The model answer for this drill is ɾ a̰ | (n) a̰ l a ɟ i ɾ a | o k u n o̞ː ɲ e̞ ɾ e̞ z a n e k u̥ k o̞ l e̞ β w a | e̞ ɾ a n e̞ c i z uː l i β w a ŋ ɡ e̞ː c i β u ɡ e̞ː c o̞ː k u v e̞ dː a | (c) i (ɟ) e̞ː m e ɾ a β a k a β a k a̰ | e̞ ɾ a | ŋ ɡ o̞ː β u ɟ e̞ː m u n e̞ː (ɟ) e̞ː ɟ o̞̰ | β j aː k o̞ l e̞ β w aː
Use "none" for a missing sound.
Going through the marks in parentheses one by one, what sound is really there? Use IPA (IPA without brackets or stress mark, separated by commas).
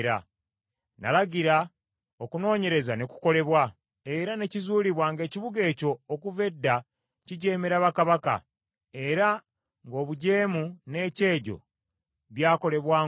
n, c, ɟ, c